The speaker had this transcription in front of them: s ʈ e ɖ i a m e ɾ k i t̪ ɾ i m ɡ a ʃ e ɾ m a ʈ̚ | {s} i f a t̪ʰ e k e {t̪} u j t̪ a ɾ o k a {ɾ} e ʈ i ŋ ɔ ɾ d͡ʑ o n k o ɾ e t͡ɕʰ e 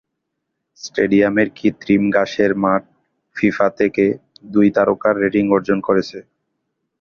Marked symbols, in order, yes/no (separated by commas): no, no, no